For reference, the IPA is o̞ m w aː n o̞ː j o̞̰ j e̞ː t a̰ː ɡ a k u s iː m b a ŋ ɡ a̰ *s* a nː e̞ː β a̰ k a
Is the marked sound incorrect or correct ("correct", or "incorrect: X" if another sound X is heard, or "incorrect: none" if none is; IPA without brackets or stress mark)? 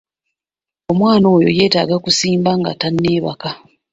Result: incorrect: t